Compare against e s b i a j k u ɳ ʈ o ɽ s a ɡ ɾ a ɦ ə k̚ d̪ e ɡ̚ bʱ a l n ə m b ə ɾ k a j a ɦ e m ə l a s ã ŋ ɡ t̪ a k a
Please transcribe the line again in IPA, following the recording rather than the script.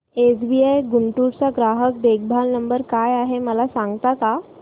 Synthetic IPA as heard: e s b i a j ɡ u ɳ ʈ u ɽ t͡s a ɡ ɾ a ɦ ə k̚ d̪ e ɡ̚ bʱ a l n ə m b ə ɾ k a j a ɦ e m ə l a s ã ŋ ɡ t̪ a k a